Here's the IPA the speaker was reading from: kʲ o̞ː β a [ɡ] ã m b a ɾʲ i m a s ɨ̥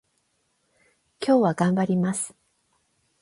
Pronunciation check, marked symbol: correct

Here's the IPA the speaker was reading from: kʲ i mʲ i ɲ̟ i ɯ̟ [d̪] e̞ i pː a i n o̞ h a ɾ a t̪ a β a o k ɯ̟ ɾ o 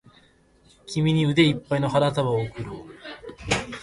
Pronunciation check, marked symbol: correct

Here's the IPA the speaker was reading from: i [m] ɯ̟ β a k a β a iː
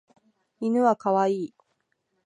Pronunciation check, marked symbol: incorrect: n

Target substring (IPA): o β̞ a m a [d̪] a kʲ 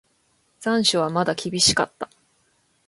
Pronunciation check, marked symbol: correct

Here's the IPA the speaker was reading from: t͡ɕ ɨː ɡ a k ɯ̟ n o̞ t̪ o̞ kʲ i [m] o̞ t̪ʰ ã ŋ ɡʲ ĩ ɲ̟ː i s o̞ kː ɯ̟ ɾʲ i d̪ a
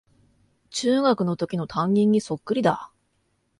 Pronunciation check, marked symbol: incorrect: n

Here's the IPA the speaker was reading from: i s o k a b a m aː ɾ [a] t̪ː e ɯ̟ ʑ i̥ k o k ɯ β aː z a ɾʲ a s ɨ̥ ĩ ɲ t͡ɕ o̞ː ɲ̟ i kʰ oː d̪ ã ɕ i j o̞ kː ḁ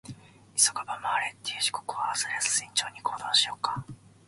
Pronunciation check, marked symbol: incorrect: e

